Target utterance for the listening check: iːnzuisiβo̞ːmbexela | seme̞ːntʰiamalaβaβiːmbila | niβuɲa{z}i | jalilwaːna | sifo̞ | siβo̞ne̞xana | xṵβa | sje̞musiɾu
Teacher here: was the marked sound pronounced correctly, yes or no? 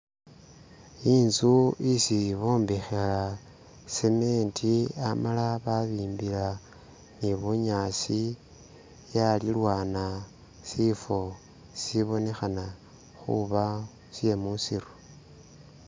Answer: no